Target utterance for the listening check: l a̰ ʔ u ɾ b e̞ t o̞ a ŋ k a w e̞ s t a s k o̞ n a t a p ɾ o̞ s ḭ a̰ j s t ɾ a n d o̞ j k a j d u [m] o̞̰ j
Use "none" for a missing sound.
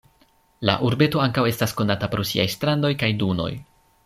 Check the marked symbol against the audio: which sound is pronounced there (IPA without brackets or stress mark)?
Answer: n